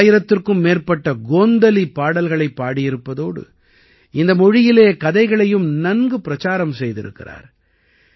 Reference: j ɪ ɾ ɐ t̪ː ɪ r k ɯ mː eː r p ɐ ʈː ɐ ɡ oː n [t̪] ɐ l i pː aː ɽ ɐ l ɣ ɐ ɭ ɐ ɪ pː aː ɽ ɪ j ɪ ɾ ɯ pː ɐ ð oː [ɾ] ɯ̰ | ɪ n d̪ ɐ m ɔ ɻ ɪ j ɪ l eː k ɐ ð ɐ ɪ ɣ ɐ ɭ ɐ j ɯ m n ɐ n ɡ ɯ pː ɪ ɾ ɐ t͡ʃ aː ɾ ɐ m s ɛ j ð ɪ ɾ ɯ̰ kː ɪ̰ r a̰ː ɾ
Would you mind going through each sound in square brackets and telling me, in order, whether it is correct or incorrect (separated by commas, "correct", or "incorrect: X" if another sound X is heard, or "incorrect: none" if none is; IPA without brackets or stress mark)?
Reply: incorrect: d̪, incorrect: ɽ